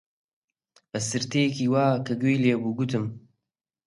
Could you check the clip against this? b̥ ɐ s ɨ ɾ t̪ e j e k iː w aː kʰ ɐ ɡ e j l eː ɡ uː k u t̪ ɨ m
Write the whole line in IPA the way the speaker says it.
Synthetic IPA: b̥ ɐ s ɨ ɾ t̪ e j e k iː w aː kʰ ɐ ɡ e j l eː b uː ɡ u t̪ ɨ m